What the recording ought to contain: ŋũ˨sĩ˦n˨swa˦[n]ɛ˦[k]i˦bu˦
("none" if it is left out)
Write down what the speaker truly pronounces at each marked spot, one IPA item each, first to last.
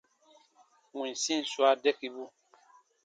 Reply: d, k

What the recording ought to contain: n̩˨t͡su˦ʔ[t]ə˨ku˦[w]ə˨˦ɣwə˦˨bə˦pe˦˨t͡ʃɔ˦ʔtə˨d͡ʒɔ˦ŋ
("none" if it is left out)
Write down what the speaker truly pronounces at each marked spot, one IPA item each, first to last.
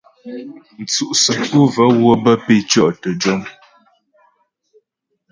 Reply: s, v

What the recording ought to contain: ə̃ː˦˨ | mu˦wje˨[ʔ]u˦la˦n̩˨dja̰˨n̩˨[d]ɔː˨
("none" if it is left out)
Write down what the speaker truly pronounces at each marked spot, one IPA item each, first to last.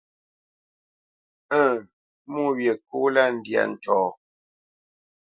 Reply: k, t

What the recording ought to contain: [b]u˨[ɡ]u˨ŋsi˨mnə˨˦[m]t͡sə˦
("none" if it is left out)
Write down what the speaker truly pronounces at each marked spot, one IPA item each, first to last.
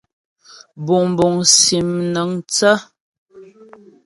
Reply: b, b, ŋ

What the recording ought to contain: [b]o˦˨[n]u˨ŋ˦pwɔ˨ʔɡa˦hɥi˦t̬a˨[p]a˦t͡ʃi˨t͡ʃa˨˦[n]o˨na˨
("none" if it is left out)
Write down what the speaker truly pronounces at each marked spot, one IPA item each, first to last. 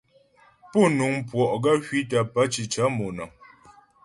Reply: p, n, p, m

